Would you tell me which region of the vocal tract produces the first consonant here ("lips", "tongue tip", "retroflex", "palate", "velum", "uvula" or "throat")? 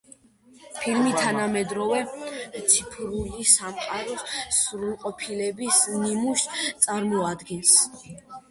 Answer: lips